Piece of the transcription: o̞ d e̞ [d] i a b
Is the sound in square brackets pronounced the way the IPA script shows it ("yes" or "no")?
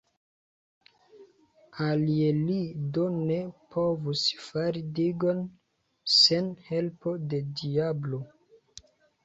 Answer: yes